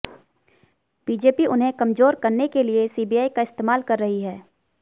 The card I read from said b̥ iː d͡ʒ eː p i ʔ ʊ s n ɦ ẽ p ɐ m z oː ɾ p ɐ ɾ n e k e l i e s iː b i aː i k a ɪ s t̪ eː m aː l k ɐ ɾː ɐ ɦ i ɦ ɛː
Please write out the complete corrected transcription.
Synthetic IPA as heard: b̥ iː d͡ʒ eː p i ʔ ʊ n ɦ ẽ k ɐ m z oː ɾ k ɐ ɾ n e k e l i e s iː b i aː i k a ɪ s t̪ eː m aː l k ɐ ɾː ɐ ɦ i ɦ ɛː